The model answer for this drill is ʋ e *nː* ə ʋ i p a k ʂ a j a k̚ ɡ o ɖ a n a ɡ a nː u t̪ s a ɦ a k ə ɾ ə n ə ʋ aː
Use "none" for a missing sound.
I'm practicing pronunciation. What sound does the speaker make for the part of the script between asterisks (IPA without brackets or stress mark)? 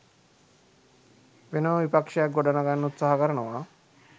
n